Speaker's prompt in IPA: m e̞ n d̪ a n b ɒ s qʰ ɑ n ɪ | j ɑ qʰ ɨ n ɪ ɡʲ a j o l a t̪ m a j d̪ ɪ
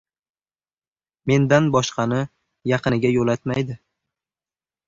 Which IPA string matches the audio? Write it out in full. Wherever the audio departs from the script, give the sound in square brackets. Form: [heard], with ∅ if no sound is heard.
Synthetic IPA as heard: m e̞ n d̪ a n b ɒ [ʃ] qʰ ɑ n ɪ | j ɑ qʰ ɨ n ɪ ɡʲ a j o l a t̪ m a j d̪ ɪ